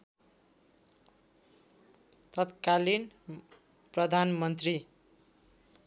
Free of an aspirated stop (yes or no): yes